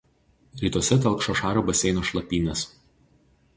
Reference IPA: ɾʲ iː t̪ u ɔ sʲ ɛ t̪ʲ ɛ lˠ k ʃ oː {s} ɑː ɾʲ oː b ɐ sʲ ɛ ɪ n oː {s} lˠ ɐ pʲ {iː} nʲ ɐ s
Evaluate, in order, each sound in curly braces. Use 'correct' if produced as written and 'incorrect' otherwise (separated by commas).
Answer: incorrect, incorrect, correct